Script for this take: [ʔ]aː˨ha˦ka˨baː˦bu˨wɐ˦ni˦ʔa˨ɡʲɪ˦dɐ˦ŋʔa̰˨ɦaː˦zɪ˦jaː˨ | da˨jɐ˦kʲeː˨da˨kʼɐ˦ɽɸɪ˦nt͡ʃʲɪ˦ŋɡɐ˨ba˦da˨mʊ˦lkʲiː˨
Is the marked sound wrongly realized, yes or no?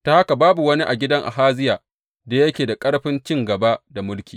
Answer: yes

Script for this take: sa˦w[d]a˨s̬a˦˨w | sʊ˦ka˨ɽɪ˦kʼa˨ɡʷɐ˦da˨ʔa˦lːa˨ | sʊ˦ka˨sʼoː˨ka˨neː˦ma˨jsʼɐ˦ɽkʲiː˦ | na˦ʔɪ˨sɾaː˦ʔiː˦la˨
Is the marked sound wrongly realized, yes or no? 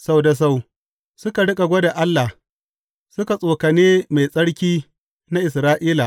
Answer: no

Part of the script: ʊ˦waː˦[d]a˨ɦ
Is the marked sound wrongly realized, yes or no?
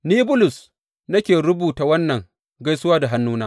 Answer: no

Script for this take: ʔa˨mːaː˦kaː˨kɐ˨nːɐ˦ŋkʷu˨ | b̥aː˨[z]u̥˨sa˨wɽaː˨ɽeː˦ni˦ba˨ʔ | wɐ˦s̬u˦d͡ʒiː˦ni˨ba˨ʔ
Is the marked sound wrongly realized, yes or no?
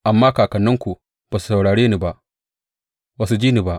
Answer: yes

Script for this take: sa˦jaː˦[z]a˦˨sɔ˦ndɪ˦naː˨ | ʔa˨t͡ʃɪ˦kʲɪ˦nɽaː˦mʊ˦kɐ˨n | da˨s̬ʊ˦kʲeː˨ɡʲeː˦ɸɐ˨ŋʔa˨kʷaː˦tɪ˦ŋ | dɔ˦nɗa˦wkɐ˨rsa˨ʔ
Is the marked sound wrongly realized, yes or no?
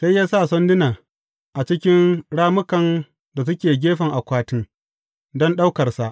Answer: yes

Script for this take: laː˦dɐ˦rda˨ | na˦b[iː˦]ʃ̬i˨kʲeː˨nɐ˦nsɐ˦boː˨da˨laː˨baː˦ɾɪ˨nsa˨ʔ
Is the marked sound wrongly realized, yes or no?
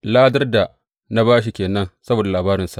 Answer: yes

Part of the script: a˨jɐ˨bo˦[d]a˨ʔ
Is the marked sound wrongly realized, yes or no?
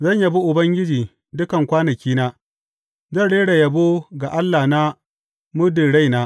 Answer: yes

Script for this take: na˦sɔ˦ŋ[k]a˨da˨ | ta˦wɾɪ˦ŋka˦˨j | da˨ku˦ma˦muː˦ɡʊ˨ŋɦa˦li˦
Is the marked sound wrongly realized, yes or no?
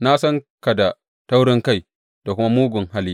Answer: no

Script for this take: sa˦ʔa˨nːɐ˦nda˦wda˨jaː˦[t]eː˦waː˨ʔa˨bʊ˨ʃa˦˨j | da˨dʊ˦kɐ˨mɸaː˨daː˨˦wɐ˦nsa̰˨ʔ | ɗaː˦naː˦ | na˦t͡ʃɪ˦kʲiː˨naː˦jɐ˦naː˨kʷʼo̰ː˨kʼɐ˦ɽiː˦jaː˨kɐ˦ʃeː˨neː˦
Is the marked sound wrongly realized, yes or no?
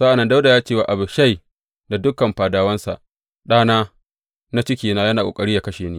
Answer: yes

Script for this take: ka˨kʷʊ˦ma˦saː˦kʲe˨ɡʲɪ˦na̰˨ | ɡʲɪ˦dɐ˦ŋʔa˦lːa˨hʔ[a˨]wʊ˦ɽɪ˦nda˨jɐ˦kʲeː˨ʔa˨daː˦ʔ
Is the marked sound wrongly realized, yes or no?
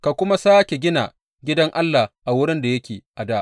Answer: no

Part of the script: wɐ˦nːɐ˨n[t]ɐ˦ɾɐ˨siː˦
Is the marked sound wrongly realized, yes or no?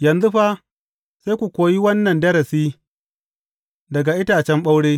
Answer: yes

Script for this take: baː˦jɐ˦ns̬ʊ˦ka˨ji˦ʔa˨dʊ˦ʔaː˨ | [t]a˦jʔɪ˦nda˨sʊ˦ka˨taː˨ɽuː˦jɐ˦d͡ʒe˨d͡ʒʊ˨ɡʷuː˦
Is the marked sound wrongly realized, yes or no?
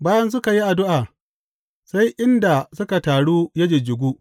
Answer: yes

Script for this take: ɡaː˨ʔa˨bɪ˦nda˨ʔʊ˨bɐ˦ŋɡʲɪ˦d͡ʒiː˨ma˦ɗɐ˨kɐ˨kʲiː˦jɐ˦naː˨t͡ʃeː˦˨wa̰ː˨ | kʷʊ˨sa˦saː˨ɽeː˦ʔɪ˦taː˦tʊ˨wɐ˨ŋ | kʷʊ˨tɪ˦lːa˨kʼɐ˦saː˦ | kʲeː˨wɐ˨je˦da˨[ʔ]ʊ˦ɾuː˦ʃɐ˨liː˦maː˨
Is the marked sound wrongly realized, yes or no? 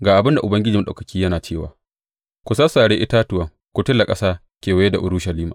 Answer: no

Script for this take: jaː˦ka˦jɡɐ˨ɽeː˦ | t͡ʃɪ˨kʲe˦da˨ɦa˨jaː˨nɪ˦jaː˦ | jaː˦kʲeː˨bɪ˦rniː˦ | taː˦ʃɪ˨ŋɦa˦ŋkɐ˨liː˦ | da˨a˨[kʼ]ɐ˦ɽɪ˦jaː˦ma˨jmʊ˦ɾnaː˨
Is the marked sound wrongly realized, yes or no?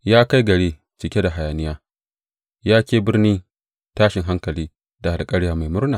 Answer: no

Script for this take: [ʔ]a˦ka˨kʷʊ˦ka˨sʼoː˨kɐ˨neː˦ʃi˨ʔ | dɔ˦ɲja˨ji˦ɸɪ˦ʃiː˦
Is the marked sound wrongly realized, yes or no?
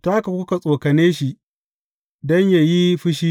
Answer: yes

